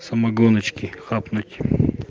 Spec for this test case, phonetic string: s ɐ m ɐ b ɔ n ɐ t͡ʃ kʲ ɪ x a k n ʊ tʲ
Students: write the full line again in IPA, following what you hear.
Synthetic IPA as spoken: s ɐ m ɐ ɡ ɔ n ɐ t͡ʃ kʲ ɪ x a p n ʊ tʲ